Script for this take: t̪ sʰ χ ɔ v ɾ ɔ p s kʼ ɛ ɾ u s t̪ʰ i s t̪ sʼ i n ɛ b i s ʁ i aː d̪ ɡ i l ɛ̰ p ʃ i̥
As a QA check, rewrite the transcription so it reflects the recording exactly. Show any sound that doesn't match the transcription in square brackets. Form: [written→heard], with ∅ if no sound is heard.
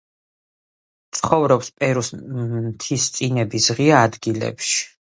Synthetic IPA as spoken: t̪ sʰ χ ɔ v ɾ ɔ p s [kʼ→pʼ] ɛ ɾ u s t̪ʰ i s t̪ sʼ i n ɛ b i s ʁ i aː d̪ ɡ i l ɛ̰ p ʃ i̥